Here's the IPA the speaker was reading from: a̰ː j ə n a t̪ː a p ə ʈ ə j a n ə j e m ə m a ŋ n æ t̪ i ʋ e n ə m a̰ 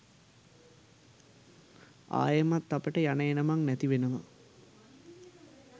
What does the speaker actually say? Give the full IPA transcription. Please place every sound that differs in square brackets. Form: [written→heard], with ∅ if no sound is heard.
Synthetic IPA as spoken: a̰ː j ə [n→m] a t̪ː a p ə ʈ ə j a n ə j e [m→n] ə m a ŋ n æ t̪ i ʋ e n ə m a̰